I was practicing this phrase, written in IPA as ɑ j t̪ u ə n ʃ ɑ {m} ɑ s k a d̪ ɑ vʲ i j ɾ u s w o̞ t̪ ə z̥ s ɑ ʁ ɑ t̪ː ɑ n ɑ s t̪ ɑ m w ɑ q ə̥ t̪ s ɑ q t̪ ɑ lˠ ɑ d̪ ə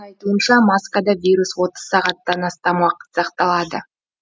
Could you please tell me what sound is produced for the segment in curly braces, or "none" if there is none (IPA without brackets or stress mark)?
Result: m